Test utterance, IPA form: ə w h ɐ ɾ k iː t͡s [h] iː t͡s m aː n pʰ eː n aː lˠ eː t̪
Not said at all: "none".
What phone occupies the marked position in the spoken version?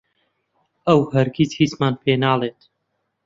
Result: h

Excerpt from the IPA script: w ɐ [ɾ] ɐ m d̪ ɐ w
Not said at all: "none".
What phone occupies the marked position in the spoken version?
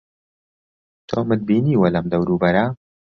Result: l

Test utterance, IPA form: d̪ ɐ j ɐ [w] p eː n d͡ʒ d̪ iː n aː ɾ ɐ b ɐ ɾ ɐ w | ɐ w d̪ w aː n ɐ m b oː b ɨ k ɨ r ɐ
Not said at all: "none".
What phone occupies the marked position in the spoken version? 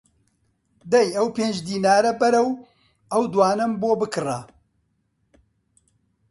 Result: w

